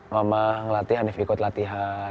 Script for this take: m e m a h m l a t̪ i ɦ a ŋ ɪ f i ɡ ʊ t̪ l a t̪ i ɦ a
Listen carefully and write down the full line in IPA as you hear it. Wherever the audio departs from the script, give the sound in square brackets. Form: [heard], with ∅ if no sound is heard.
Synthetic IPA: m [a] m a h [ŋ] l a t̪ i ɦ a [n] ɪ f i [k] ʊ t̪ l a t̪ i ɦ a